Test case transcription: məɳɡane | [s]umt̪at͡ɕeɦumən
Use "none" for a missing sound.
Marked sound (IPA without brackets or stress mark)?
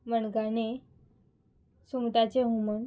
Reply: s